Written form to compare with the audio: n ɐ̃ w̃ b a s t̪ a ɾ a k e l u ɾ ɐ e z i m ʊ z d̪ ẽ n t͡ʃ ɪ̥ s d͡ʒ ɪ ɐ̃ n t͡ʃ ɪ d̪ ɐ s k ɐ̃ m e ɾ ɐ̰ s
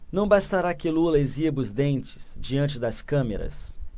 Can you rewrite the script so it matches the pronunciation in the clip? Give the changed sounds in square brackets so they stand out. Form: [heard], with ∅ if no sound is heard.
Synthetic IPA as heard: n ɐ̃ w̃ b a s t̪ a ɾ a k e l u [l] ɐ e z i [b] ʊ z d̪ ẽ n t͡ʃ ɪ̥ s d͡ʒ [i] ɐ̃ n t͡ʃ ɪ d̪ ɐ s k ɐ̃ m e ɾ ɐ̰ s